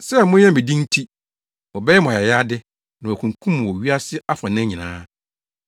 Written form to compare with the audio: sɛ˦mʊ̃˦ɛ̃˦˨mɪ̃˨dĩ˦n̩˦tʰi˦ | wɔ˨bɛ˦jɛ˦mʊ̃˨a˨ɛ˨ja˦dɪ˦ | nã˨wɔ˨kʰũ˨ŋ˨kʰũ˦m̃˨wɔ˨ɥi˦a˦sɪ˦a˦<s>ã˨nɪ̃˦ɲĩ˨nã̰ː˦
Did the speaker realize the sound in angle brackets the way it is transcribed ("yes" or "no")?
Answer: no